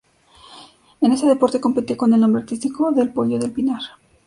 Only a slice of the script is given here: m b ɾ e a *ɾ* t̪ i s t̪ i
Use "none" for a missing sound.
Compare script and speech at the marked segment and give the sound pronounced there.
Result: ɾ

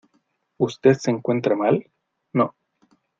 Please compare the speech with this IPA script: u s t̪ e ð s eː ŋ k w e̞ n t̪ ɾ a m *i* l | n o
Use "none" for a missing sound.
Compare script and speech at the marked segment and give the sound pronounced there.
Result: a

